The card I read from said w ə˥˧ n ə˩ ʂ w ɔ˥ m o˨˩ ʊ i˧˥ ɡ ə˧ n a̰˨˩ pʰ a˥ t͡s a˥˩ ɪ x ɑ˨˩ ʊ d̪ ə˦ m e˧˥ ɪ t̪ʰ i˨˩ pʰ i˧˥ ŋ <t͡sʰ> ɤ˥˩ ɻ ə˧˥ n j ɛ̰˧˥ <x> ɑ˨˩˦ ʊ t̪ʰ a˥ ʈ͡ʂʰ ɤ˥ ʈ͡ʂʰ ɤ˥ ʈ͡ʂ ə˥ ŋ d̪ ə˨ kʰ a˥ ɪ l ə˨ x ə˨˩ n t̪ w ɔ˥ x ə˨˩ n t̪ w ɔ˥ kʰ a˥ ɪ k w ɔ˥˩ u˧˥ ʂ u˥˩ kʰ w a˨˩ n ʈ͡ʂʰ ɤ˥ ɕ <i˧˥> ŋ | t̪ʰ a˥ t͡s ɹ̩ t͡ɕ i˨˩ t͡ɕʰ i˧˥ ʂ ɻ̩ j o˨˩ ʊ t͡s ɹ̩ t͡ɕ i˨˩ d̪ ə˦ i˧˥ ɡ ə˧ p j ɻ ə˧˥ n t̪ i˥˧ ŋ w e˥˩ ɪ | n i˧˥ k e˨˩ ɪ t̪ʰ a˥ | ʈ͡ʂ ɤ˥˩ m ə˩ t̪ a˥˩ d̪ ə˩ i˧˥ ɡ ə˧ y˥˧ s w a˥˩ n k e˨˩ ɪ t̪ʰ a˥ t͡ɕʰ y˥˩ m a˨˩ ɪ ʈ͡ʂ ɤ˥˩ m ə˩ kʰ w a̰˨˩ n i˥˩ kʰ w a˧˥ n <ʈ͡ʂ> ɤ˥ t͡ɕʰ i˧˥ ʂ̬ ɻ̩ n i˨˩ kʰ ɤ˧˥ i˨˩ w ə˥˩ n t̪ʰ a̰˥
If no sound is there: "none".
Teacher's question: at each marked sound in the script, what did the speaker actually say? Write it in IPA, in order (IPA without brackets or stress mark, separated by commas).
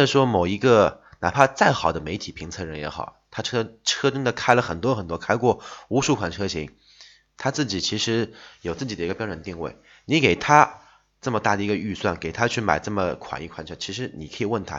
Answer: t͡sʰ, x, i˧˥, ʈ͡ʂʰ